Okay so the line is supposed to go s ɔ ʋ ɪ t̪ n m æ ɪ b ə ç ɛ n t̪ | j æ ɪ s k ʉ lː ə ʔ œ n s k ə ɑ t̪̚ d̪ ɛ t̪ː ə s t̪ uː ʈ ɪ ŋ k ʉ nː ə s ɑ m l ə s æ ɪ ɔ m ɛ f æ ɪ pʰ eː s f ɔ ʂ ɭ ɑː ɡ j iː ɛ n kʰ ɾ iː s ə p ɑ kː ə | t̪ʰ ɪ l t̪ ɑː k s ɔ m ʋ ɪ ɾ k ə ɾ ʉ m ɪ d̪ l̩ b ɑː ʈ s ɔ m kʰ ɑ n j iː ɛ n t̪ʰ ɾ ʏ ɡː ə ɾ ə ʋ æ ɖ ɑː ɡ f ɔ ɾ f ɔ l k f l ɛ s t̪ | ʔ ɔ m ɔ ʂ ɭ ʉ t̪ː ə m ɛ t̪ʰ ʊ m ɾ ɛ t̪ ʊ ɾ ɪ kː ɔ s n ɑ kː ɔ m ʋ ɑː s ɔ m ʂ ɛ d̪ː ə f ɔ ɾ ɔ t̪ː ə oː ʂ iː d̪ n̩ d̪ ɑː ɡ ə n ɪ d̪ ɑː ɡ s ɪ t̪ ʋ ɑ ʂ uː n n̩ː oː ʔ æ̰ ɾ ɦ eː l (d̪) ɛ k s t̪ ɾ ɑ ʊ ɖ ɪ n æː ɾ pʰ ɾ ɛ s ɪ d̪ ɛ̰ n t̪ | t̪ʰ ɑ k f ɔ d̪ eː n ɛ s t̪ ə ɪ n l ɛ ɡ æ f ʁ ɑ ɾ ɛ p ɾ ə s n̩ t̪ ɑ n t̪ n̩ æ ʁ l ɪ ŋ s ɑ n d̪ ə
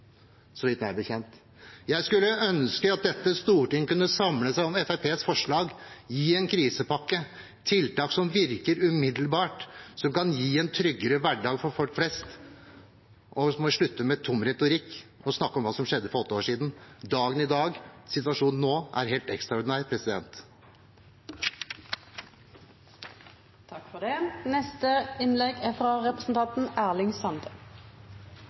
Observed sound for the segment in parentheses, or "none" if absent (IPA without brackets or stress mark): t̪